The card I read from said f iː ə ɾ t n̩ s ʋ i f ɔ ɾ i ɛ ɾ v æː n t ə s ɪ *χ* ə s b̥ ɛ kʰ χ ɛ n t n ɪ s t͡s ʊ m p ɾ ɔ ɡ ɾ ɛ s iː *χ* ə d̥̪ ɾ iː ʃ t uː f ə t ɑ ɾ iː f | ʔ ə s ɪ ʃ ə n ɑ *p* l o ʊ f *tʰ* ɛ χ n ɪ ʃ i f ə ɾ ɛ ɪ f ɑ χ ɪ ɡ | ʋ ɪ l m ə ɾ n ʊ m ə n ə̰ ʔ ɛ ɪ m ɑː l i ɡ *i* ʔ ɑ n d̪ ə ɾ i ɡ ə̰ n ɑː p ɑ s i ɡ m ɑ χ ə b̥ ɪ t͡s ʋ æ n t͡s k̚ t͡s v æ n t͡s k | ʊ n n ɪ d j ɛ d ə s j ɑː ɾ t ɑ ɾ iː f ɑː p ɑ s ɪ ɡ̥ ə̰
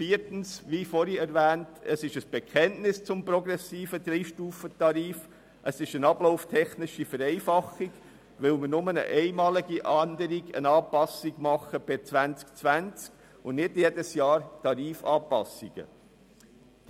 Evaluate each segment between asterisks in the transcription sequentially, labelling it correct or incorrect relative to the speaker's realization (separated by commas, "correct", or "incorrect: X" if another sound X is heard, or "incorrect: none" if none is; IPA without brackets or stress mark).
incorrect: ʃ, incorrect: f, incorrect: b, correct, correct